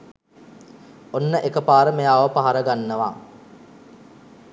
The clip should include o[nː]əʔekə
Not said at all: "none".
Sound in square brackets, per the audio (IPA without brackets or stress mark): nː